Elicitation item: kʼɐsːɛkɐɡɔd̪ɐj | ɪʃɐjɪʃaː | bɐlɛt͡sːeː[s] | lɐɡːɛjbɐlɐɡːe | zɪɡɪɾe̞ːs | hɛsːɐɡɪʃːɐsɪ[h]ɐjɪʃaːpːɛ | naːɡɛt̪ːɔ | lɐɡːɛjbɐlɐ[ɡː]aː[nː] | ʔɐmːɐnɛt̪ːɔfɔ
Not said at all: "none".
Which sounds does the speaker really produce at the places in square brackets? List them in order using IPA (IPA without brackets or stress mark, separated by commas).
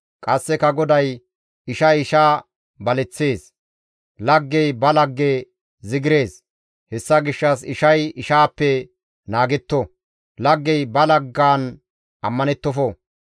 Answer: s, ʃ, ɡː, n